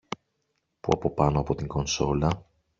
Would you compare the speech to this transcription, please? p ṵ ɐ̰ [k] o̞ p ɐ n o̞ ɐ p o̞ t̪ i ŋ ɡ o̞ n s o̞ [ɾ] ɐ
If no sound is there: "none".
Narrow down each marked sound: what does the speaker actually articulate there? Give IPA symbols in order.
p, l

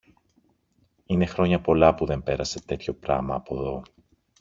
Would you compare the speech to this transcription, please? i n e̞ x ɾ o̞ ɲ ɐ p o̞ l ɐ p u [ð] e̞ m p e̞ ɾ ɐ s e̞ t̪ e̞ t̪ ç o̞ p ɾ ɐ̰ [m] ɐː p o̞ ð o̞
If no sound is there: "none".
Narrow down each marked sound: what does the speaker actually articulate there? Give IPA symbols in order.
ð, m

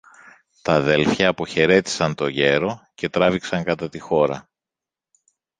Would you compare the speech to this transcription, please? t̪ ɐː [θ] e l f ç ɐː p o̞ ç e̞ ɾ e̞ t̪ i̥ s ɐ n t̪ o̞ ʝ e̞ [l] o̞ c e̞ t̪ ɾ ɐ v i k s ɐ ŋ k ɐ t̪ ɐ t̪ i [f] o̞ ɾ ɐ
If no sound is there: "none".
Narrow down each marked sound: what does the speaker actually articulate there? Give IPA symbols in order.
ð, ɾ, x

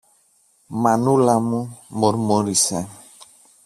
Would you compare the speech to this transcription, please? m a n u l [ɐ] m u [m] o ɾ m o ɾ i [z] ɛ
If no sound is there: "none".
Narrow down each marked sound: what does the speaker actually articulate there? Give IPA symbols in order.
a, m, s

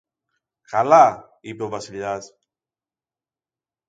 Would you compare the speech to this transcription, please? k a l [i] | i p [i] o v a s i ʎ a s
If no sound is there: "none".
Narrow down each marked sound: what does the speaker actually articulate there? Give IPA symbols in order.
a, e

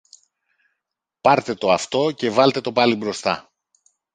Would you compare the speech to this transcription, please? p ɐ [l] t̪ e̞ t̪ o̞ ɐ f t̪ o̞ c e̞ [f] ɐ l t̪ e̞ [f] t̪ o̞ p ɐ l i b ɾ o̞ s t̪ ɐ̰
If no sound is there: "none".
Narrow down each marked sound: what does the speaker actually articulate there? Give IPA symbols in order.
ɾ, v, none

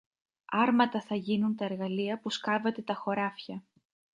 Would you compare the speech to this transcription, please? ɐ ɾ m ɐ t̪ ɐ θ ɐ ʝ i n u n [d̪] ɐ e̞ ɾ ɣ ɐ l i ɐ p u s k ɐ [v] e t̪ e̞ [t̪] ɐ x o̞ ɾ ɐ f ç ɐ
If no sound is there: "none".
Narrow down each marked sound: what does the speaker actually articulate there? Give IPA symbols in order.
t̪, v, t̪

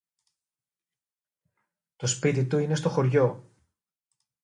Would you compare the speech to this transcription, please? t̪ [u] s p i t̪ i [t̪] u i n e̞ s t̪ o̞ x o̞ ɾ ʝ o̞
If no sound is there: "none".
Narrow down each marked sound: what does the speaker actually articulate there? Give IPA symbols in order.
o, t̪

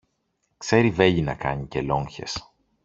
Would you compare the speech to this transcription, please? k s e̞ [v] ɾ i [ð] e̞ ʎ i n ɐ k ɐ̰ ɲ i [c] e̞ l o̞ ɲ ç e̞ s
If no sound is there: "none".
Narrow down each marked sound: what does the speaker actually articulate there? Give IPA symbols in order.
none, v, c

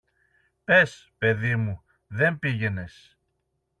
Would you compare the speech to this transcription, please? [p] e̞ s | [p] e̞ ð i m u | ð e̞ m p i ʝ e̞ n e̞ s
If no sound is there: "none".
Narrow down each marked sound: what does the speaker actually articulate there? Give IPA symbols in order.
p, p

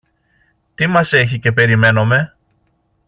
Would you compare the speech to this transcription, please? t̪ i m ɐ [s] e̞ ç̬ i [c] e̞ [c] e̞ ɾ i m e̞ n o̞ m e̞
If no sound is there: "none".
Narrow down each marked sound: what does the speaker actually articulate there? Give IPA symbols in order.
s, c, p

